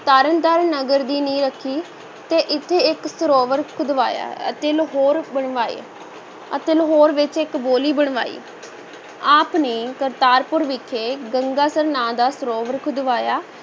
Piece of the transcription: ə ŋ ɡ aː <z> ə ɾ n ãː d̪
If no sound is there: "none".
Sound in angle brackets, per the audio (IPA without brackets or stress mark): s